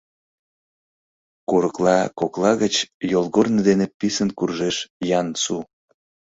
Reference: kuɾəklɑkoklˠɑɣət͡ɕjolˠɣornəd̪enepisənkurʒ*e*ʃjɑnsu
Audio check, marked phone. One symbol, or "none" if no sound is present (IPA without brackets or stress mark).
e